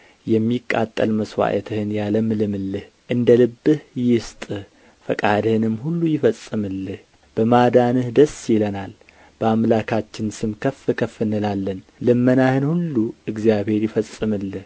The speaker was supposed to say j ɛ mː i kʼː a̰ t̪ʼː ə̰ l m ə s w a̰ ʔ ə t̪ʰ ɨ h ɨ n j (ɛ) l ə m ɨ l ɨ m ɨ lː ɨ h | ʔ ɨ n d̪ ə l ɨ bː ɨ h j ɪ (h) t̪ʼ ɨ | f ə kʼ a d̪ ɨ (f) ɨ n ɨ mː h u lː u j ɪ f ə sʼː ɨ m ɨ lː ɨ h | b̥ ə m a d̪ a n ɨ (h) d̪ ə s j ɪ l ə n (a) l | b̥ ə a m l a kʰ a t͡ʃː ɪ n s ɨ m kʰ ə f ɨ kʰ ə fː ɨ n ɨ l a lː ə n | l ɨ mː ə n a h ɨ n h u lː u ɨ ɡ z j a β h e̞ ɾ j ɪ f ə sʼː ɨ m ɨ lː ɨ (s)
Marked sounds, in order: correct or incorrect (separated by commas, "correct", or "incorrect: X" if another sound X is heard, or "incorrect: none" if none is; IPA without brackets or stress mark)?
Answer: incorrect: a, incorrect: s, incorrect: h, correct, correct, incorrect: h